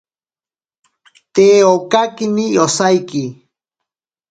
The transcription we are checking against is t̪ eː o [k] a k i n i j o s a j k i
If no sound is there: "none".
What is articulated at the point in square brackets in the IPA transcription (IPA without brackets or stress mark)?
k